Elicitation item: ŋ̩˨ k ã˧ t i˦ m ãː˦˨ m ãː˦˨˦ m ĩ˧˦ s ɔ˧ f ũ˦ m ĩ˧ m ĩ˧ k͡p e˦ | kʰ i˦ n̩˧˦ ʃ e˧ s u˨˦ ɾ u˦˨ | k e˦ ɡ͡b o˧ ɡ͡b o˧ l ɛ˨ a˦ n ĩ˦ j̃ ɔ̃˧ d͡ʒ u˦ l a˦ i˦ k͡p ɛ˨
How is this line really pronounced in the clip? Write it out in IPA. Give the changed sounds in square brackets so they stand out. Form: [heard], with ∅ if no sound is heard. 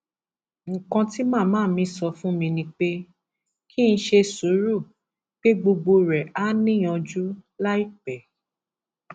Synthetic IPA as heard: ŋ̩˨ k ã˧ t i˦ m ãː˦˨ m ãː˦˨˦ m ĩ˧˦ s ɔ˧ f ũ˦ m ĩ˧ [n] ĩ˧ k͡p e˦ | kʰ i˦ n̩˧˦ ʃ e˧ s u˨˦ ɾ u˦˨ | [k͡p] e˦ ɡ͡b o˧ ɡ͡b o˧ [ɾ] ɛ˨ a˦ n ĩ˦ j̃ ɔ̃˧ d͡ʒ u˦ l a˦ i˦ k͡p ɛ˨